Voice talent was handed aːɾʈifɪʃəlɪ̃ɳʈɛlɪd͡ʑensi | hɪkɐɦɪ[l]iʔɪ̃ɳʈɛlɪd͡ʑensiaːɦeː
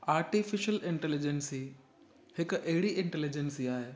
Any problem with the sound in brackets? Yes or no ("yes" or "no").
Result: yes